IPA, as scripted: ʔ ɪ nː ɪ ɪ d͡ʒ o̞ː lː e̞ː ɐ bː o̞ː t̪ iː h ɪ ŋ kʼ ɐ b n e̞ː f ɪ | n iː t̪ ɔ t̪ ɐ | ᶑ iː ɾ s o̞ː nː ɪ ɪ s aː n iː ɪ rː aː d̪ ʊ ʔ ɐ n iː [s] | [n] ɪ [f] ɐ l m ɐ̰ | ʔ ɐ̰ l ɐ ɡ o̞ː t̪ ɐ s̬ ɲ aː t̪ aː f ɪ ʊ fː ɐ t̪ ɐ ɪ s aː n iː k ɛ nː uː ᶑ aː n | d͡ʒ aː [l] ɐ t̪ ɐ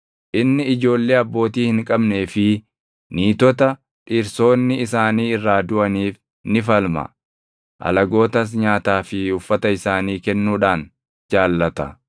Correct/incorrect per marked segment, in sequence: incorrect: f, correct, correct, incorrect: lː

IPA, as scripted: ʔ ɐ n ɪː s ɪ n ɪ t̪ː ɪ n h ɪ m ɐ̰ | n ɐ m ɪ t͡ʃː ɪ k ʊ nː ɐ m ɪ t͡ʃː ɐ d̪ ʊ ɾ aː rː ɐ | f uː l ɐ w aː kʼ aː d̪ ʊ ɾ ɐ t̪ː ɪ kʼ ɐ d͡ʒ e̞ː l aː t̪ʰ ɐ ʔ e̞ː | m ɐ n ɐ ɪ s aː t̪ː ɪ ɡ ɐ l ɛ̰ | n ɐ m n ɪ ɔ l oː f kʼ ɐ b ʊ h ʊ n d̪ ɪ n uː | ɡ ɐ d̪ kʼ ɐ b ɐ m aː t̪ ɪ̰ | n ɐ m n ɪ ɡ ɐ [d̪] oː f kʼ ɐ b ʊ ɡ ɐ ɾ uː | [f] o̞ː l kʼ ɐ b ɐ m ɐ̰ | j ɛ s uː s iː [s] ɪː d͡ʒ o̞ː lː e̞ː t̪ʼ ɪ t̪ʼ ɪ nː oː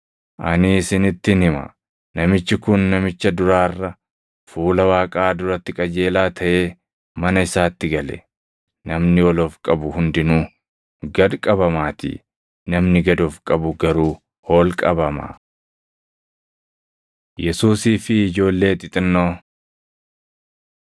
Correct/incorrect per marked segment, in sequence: correct, incorrect: h, incorrect: f

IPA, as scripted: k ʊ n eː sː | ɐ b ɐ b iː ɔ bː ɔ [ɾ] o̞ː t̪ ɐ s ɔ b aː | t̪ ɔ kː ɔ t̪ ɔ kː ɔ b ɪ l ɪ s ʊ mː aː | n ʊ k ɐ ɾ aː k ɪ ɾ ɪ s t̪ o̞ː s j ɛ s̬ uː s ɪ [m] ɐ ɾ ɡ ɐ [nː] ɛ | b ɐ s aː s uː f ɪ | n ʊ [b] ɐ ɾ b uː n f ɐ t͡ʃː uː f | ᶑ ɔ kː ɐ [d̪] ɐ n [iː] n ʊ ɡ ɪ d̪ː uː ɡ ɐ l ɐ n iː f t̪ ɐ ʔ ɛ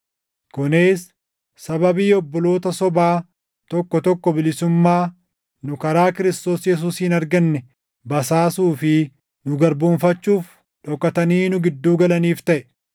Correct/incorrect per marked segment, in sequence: incorrect: l, incorrect: n, correct, incorrect: ɡ, incorrect: t̪, correct

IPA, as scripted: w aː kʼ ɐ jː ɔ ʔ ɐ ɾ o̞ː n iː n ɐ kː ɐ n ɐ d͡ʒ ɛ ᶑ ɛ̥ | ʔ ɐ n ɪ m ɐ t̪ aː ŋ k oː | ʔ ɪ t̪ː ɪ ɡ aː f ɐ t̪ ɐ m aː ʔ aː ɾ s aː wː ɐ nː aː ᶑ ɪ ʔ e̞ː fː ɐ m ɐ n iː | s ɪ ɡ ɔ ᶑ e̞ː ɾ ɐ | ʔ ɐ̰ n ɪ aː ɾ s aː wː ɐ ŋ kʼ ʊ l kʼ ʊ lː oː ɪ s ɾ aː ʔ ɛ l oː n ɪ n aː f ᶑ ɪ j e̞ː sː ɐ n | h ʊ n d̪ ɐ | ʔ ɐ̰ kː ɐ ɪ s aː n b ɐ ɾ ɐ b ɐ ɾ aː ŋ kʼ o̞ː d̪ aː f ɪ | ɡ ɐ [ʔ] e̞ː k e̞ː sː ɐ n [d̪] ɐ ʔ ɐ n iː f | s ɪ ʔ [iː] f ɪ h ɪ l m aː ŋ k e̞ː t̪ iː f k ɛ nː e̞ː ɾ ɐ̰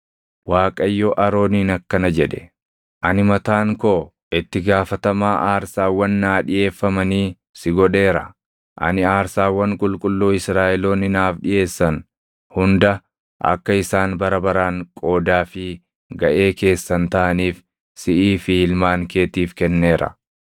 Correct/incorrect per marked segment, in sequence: correct, incorrect: t̪, correct

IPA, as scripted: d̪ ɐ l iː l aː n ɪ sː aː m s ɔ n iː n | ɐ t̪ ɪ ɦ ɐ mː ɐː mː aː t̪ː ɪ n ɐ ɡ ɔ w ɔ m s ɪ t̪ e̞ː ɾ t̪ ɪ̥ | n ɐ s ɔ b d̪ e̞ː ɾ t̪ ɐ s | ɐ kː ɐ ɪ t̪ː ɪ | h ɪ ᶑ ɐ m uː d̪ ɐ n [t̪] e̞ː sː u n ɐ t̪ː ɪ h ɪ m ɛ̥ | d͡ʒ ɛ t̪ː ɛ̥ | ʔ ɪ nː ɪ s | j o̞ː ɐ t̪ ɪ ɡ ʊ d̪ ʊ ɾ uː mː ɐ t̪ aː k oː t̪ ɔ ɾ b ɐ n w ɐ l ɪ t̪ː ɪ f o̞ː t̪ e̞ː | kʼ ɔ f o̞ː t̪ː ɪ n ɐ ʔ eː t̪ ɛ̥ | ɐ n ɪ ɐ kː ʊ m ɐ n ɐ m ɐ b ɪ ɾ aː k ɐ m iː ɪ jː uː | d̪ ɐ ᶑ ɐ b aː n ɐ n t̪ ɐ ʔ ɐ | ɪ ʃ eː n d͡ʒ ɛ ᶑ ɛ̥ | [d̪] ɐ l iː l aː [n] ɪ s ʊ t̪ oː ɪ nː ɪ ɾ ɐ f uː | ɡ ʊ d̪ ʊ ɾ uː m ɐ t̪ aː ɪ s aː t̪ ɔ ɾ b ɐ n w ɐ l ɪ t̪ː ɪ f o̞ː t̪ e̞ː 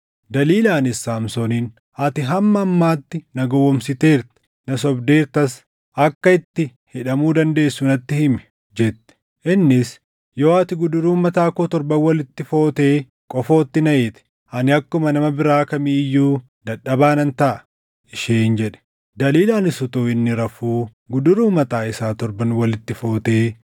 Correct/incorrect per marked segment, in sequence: incorrect: d̪, correct, correct

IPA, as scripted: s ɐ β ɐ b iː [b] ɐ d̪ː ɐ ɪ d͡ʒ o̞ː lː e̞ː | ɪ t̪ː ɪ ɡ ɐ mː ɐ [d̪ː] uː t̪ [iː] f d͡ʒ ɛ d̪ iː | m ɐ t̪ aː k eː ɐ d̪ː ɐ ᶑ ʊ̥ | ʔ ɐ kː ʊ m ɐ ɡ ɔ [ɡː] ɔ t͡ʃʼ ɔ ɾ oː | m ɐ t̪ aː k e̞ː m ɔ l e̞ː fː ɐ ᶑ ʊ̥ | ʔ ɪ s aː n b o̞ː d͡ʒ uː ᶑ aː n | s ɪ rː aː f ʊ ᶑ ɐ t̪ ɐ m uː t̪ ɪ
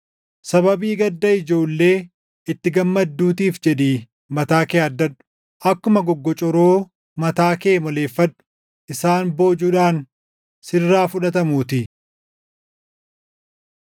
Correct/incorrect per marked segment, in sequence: incorrect: ɡ, correct, correct, correct

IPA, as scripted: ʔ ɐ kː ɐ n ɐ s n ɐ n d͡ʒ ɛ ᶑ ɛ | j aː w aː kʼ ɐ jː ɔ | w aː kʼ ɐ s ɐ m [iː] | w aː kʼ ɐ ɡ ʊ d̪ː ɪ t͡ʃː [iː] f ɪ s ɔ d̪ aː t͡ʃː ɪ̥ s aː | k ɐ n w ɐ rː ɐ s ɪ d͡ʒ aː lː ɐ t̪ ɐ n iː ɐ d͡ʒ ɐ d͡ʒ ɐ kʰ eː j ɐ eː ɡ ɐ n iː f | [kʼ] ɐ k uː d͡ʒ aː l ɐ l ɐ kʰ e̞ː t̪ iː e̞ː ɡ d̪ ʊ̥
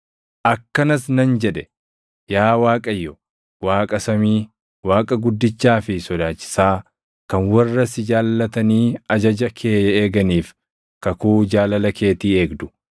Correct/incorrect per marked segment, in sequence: correct, incorrect: aː, incorrect: k

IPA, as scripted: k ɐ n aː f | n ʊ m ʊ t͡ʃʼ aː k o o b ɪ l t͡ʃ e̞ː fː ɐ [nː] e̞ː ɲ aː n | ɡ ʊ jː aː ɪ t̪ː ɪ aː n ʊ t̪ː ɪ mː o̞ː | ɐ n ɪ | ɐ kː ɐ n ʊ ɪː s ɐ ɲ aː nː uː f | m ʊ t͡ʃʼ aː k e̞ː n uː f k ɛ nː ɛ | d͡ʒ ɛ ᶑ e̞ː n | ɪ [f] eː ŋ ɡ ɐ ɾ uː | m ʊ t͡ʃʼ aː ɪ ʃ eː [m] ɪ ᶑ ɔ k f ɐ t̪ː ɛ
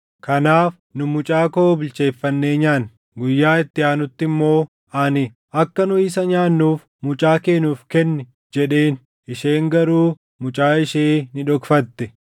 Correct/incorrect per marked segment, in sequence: correct, incorrect: ʃ, incorrect: n

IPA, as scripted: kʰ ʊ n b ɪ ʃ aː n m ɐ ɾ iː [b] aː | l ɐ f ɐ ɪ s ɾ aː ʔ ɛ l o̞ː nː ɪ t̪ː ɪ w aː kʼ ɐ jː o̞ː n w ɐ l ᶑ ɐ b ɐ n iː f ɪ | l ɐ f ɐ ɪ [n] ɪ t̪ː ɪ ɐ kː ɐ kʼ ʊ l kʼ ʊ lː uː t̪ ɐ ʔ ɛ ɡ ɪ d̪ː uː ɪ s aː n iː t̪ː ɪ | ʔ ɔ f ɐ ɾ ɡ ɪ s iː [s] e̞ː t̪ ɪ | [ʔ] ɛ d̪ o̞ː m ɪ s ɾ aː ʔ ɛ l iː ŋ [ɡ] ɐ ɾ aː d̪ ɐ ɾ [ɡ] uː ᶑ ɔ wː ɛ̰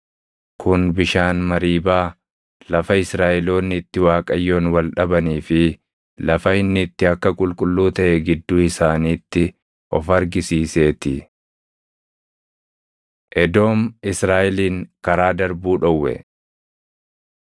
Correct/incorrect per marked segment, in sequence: correct, incorrect: nː, correct, correct, incorrect: k, incorrect: b

